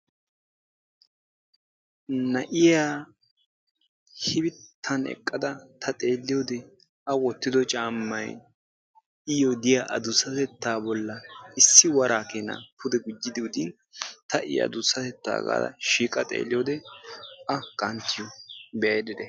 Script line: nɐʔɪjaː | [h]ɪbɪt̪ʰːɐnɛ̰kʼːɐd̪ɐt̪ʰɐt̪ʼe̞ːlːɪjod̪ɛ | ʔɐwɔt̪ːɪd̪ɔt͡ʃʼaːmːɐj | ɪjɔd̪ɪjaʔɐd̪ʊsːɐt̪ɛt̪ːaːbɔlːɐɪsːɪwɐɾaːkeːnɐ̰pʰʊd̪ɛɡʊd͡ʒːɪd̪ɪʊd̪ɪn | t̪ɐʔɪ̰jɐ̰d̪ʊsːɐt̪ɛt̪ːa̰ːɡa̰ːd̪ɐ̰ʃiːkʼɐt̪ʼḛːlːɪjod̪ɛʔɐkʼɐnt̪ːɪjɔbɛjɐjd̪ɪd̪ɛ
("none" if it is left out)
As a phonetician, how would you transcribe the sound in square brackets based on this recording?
h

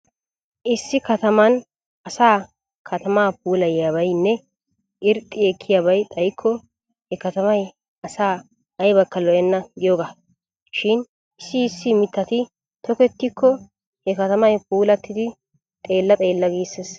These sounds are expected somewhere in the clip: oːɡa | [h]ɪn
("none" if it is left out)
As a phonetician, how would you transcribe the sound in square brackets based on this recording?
ʃ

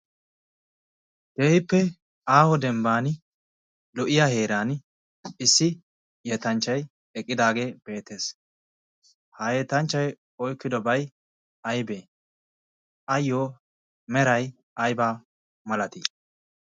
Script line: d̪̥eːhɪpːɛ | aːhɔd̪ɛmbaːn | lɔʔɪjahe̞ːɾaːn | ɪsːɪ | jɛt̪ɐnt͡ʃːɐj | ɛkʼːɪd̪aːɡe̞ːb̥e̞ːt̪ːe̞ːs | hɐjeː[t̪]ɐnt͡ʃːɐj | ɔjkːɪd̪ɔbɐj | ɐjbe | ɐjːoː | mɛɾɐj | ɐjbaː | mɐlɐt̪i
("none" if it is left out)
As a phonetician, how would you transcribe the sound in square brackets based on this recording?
t̪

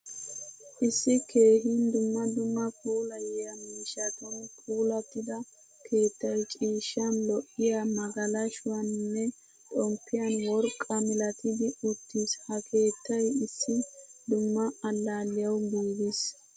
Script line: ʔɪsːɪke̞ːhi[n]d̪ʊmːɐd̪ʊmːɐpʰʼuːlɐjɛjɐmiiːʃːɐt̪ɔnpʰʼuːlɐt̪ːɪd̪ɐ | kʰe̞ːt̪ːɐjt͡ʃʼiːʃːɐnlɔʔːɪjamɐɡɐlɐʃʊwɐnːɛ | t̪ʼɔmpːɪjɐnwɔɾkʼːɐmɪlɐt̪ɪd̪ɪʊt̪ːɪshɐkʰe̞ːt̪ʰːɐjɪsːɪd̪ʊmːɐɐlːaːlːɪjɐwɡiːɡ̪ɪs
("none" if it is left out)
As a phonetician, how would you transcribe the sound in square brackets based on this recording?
n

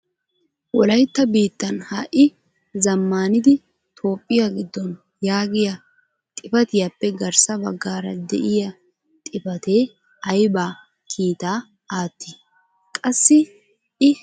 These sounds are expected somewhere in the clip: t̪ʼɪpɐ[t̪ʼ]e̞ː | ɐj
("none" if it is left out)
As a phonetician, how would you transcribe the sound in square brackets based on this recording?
t̪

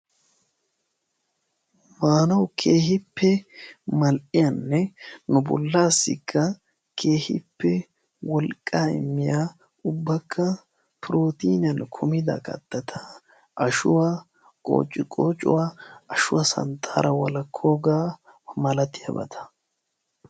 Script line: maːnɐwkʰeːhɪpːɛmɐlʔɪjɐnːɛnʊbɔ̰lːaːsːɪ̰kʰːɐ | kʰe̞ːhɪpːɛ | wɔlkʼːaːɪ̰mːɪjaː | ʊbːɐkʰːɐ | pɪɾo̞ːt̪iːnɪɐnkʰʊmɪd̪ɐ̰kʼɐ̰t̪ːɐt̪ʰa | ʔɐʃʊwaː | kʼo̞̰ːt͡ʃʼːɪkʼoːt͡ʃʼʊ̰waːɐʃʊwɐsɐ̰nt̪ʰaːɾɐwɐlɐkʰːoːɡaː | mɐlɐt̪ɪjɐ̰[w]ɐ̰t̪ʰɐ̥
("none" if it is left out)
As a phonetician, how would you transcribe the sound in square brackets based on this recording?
b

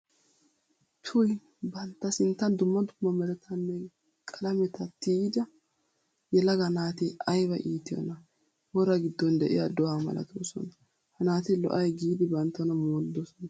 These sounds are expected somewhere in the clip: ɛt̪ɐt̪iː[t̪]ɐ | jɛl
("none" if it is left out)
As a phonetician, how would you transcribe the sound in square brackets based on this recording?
d̪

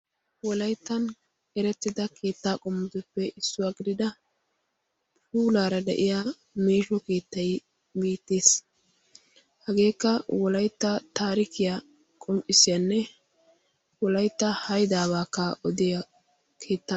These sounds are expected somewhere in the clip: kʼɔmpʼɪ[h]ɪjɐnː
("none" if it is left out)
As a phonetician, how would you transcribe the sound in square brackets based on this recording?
s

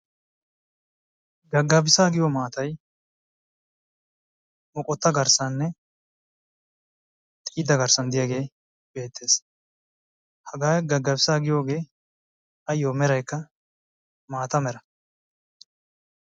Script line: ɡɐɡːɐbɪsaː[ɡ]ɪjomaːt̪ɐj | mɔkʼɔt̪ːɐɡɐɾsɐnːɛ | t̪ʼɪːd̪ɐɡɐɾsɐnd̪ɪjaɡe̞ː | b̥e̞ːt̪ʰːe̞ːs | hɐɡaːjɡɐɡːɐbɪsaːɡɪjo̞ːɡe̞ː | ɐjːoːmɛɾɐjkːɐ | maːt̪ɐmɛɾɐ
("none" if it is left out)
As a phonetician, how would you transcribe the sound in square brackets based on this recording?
ɡ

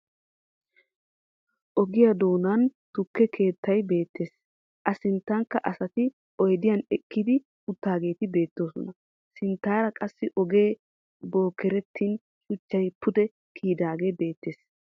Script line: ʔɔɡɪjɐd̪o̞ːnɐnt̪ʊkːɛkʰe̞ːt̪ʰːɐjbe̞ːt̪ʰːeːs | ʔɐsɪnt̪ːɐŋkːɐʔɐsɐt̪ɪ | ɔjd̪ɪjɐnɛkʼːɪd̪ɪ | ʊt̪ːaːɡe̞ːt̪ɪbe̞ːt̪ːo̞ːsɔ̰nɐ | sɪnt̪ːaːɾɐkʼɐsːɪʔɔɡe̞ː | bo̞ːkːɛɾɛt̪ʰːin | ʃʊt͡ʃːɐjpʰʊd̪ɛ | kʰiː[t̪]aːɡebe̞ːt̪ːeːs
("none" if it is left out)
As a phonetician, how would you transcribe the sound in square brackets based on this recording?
d̪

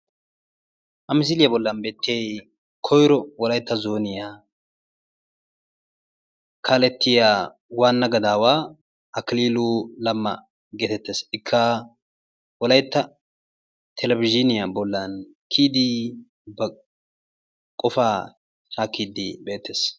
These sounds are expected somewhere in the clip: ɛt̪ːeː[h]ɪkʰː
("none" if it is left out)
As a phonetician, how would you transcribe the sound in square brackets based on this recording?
s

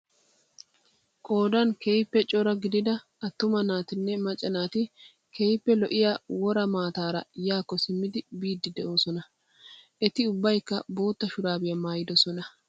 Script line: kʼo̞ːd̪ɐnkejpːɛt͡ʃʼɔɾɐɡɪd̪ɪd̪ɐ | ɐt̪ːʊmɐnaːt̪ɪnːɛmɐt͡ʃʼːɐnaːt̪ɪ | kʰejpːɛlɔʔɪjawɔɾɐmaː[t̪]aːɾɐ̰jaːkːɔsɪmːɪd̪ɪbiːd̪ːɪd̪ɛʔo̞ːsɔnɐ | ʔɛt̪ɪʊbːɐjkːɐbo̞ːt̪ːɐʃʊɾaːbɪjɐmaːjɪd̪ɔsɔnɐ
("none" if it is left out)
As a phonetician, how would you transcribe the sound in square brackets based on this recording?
t̪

